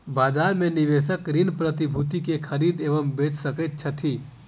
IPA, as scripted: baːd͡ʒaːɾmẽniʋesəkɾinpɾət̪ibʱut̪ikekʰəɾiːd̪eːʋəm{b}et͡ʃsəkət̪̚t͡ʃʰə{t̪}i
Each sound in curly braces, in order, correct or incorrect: correct, incorrect

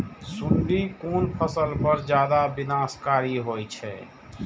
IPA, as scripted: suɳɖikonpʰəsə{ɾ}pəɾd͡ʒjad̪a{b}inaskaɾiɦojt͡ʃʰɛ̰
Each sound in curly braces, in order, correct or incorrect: incorrect, correct

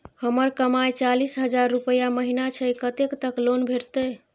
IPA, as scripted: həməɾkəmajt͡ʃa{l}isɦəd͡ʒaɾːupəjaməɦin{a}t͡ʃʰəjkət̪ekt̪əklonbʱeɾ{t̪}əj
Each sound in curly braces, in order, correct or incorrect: correct, correct, correct

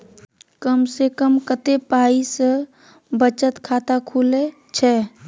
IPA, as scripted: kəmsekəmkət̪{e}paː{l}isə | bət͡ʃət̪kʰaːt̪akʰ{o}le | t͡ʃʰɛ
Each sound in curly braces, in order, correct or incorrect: correct, incorrect, incorrect

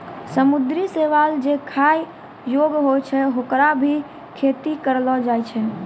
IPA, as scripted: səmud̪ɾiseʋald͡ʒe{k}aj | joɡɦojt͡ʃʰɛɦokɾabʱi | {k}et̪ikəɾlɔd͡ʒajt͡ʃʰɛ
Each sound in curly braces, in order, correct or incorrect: incorrect, incorrect

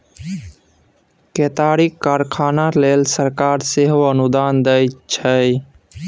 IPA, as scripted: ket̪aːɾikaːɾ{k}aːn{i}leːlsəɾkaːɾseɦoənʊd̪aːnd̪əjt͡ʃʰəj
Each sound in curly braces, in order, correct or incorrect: incorrect, incorrect

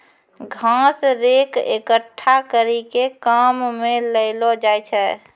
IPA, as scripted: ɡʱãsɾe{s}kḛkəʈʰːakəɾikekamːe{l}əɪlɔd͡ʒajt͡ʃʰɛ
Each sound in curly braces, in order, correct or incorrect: incorrect, correct

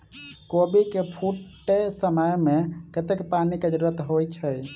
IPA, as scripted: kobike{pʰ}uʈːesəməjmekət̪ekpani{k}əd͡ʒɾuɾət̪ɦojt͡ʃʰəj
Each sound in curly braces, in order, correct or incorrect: correct, correct

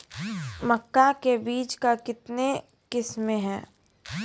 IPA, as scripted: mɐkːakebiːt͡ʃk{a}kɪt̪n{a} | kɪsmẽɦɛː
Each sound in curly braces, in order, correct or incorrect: correct, incorrect

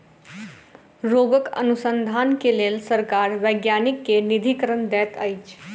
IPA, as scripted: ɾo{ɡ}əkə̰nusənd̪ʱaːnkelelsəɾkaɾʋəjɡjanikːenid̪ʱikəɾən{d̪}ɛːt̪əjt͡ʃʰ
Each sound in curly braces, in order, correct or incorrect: correct, correct

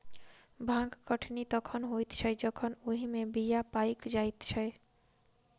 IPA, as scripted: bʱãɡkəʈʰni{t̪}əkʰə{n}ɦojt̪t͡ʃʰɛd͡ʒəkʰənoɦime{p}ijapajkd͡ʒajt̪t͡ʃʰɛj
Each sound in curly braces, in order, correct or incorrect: correct, correct, incorrect

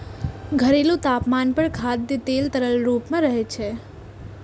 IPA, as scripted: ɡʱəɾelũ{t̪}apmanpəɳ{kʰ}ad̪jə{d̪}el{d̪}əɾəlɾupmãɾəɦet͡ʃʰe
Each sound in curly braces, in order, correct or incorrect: correct, correct, incorrect, incorrect

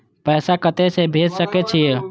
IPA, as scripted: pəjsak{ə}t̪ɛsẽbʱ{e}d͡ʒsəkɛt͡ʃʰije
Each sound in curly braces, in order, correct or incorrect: correct, correct

